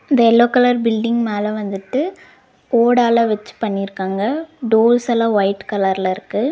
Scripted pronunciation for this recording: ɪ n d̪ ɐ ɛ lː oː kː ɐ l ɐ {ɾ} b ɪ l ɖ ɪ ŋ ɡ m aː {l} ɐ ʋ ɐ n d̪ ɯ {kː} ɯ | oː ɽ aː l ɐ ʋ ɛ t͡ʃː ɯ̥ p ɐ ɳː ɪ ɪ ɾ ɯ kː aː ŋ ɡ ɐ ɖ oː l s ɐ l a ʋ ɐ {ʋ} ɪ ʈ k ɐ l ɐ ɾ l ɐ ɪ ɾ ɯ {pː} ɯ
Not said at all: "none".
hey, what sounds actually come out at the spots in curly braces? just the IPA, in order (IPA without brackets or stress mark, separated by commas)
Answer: ɾ, l, ʈː, none, kː